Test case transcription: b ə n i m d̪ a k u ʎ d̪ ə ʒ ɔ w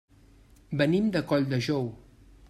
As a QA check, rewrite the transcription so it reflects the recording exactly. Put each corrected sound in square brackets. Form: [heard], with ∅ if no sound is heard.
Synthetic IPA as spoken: b ə n i m d̪ [ə] k [ɔ] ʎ d̪ ə ʒ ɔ w